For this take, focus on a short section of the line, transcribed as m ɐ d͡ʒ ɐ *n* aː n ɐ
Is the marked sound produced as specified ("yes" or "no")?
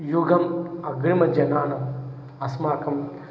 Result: yes